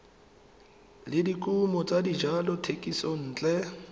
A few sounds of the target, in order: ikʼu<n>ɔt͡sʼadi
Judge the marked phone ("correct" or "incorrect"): incorrect